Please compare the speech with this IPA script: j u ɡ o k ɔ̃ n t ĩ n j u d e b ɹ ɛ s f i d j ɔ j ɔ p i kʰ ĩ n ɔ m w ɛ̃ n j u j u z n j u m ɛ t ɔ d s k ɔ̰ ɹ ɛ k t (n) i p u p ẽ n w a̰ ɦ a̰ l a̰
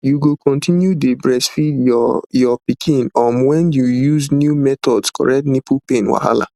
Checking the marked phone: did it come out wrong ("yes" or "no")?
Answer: no